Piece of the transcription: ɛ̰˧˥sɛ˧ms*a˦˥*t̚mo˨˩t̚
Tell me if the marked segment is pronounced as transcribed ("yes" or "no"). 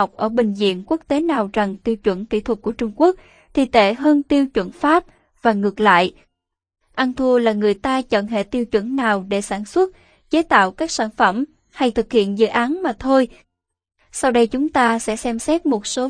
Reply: no